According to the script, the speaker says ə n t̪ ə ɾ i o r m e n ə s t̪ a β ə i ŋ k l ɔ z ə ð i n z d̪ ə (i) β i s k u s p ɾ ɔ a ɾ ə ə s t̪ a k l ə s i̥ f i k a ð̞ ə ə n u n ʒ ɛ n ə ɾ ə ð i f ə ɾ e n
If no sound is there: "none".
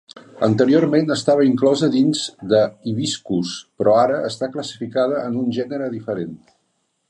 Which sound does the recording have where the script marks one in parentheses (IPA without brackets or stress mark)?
i